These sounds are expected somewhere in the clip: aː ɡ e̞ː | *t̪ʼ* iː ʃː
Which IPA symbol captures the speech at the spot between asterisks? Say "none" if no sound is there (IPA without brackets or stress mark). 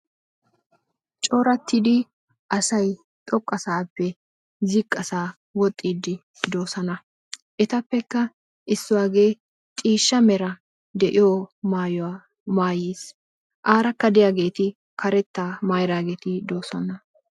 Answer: t̪ʼ